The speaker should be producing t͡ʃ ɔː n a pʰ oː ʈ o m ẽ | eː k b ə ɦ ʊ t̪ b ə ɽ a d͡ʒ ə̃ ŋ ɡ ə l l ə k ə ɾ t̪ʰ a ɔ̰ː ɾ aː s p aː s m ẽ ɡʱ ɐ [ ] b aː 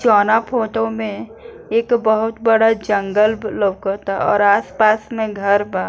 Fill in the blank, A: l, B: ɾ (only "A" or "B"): B